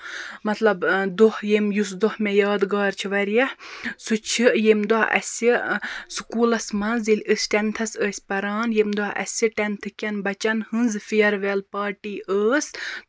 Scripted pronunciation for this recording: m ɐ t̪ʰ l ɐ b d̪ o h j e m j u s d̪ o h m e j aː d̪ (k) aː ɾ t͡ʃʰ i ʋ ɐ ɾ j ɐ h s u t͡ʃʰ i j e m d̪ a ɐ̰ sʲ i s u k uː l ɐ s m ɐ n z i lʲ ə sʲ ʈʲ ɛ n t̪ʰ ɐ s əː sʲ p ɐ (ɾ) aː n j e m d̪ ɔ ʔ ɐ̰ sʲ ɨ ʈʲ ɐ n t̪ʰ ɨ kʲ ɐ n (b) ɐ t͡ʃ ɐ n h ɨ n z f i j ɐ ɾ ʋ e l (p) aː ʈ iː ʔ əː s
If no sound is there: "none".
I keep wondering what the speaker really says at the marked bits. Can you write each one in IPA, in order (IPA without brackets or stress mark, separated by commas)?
ɡ, ɾ, b, p